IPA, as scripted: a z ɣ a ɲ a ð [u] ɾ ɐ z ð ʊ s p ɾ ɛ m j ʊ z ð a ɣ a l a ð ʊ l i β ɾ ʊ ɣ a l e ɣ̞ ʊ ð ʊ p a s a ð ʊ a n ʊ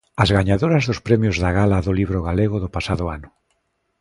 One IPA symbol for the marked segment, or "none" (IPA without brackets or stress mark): o